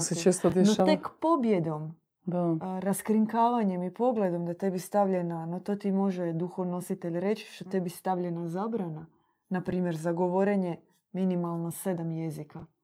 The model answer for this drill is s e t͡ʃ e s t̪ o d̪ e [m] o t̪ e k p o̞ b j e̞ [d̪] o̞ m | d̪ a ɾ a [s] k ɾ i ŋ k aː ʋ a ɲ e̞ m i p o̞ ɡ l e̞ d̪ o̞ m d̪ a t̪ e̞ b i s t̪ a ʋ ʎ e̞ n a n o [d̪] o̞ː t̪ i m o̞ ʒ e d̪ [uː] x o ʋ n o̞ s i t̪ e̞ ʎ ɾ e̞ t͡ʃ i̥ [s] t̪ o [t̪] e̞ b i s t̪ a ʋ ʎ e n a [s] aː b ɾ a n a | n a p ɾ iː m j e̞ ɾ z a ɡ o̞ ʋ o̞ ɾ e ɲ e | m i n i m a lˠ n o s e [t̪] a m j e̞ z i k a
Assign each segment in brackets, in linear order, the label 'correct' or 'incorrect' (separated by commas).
incorrect, correct, correct, incorrect, incorrect, incorrect, correct, incorrect, incorrect